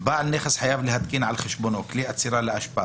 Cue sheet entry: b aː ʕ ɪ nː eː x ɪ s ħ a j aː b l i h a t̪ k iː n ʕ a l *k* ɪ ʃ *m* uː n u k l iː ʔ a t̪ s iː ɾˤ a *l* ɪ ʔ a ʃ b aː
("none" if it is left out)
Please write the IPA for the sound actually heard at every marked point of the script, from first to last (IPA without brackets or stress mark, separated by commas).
x, b, l